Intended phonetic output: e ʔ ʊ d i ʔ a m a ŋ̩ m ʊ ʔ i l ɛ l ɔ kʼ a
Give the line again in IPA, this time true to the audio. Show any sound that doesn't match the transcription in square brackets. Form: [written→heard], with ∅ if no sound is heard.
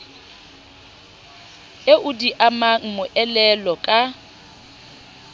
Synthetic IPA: e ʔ ʊ d i ʔ a m a ŋ̩ m ʊ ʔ [i→ɛ] l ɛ l ɔ kʼ a